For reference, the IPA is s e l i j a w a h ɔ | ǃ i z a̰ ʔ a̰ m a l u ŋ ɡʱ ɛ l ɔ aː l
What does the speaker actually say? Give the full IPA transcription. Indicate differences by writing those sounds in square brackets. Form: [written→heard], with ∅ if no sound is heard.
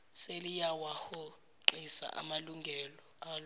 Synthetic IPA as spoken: s e l i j a w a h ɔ | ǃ i [z→s] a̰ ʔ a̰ m a l u ŋ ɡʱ ɛ l ɔ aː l

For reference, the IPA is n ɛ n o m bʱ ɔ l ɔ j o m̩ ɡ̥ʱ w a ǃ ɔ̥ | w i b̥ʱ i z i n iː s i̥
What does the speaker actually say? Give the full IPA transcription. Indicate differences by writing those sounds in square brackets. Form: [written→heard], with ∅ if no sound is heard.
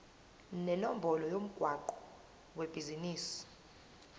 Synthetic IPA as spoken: n ɛ n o m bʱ ɔ l ɔ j o m̩ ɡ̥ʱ w a ǃ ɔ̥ | w [i→e] b̥ʱ i z i n iː s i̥

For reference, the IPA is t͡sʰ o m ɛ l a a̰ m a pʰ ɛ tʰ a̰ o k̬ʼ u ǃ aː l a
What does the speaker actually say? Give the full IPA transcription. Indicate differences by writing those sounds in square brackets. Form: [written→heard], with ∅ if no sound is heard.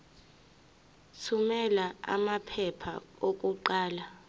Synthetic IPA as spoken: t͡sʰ [o→u] m ɛ l a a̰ m a pʰ ɛ [tʰ→pʰ] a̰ o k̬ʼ u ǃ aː l a

